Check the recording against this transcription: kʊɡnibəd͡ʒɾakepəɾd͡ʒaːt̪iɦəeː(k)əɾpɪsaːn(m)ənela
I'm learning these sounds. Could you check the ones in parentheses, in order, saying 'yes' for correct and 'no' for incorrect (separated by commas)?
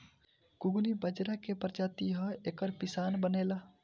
yes, no